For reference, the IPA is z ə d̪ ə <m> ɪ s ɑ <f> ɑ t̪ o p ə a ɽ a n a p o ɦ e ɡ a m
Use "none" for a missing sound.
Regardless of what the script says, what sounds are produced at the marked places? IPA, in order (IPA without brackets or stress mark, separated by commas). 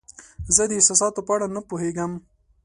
none, s